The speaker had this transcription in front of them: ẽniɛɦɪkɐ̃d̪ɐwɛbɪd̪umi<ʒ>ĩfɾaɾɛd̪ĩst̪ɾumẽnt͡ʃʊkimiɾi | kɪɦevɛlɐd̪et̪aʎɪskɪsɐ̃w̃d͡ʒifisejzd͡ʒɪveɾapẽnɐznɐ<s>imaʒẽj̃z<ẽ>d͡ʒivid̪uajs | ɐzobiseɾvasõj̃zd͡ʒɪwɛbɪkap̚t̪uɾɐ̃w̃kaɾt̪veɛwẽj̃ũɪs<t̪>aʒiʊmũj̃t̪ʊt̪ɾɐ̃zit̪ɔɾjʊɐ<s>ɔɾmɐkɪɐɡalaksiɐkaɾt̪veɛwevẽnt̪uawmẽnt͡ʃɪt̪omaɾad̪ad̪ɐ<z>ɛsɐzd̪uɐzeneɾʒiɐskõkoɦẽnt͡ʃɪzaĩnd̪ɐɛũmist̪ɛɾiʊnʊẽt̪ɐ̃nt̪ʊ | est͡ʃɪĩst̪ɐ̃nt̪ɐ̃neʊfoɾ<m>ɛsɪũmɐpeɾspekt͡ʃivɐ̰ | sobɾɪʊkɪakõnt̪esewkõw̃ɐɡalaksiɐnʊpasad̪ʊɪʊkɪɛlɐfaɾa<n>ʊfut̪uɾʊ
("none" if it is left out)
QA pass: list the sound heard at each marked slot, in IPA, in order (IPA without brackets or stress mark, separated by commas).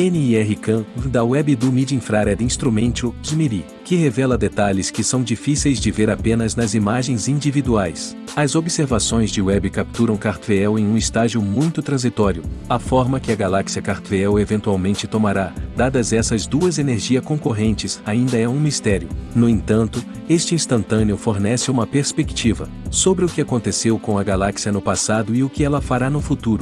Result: d͡ʒ, z, ĩ, t̪, f, z, n, n